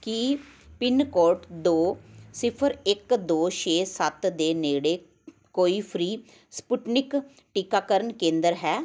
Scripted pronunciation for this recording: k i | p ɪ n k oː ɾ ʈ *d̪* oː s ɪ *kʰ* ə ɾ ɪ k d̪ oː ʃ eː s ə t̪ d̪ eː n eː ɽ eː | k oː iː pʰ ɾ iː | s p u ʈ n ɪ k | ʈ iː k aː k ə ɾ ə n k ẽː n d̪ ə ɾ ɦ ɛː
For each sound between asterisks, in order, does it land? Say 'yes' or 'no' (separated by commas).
yes, no